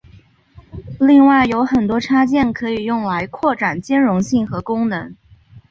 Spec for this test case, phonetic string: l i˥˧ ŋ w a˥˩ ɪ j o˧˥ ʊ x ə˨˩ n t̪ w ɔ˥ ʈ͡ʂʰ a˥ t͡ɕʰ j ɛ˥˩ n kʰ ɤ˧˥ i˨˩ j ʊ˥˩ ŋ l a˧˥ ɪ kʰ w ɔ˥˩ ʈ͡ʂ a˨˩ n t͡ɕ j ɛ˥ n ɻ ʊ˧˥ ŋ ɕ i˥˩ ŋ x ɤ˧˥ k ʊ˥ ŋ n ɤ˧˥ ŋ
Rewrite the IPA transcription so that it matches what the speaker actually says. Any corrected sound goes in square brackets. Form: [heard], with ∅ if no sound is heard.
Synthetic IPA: l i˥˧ ŋ w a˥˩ ɪ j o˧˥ ʊ x ə˨˩ n t̪ w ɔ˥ ʈ͡ʂʰ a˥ [t͡ɕ] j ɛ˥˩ n kʰ ɤ˧˥ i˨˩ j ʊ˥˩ ŋ l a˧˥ ɪ kʰ w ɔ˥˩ ʈ͡ʂ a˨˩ n t͡ɕ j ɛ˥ n ɻ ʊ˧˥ ŋ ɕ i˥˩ ŋ x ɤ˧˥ k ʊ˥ ŋ n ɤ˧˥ ŋ